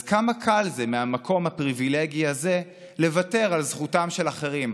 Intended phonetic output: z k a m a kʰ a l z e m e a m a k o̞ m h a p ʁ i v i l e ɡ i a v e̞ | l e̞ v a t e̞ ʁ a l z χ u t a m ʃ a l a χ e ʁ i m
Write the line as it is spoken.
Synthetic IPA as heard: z k a m a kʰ a l z e m e a m a k o̞ m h a p ʁ i v i l e ɡ i a z e̞ | l e̞ v a t e̞ ʁ a l z χ u t a m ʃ e l a χ e ʁ i m